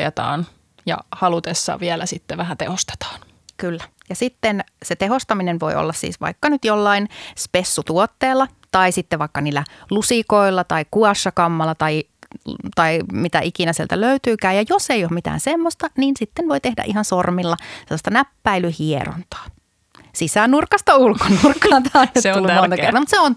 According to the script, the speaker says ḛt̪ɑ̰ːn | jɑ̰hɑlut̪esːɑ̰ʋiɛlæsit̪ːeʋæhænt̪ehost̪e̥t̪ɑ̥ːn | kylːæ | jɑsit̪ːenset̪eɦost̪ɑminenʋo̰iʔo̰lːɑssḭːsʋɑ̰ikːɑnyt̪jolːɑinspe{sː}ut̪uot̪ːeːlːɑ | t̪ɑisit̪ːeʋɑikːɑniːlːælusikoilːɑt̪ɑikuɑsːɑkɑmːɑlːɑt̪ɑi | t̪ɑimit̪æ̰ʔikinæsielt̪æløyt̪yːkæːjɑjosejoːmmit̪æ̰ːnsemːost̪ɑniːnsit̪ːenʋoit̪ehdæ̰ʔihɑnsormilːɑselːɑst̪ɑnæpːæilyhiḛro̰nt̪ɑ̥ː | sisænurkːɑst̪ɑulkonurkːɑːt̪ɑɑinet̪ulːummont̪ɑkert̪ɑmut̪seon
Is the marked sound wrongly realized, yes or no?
no